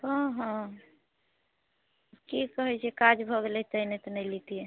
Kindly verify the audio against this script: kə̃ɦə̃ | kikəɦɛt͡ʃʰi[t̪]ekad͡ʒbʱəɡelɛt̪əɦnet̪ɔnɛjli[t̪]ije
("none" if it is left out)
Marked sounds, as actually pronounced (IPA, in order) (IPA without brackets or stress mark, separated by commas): none, t̪